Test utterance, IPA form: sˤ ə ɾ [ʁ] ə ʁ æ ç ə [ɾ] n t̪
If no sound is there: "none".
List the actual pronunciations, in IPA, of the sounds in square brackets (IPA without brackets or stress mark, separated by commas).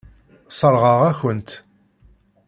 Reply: ʁ, none